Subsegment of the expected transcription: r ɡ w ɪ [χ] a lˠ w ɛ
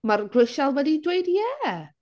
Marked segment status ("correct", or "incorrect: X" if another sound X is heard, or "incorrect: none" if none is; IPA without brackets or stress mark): incorrect: ʃ